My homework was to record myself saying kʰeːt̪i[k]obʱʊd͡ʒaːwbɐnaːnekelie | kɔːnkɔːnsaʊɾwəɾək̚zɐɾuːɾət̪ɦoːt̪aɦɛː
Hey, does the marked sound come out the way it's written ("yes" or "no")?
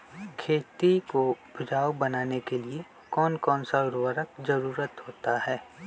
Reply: yes